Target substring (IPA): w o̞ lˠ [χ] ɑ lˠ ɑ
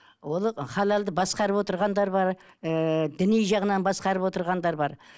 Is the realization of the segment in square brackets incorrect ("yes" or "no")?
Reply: no